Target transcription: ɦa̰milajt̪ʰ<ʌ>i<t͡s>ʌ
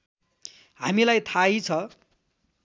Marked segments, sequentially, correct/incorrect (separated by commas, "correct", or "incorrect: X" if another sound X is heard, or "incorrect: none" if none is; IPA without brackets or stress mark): incorrect: a, incorrect: t͡sʰ